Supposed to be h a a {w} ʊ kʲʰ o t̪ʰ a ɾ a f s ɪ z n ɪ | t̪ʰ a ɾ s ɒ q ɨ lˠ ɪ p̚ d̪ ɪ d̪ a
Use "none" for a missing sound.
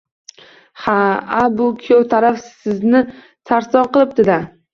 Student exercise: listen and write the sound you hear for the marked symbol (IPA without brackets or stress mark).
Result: b